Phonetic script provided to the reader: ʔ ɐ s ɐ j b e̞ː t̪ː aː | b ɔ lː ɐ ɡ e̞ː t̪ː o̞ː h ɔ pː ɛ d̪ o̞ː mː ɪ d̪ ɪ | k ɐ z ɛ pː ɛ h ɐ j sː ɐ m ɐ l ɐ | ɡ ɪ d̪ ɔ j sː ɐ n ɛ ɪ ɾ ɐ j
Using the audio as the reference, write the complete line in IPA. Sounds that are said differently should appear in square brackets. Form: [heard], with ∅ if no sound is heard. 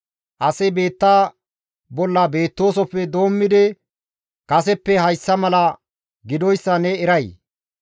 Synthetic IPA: ʔ ɐ s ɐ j b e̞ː t̪ː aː | b ɔ lː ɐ [b] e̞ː t̪ː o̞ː [s] ɔ pː ɛ d̪ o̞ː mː ɪ d̪ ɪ | k ɐ [s] ɛ pː ɛ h ɐ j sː ɐ m ɐ l ɐ | ɡ ɪ d̪ ɔ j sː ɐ n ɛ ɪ ɾ ɐ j